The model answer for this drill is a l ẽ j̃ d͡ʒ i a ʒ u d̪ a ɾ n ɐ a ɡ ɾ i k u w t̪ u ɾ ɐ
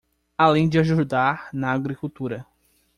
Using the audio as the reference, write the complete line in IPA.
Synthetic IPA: a l ẽ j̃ d͡ʒ ɪ a ʒ u d̪ a ɾ n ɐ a ɡ ɾ i k u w t̪ u ɾ ɐ